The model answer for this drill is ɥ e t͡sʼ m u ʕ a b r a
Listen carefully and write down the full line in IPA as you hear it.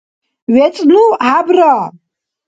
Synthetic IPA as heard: ɥ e t͡sʼ n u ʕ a b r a